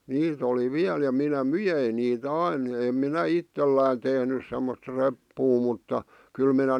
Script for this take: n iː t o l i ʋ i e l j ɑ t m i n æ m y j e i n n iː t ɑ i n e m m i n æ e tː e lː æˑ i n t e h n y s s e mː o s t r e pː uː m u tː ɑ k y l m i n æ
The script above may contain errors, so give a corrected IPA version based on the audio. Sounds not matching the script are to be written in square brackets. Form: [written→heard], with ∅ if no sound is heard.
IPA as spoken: n iː t o l i ʋ i [e→æ] l j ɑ [t→∅] m i n æ m y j e i n n iː t ɑ i n e m m i n æ [e→i] tː e lː æˑ i n t e h n y s s e mː o s t r e pː uː m u tː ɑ k y l m i n æ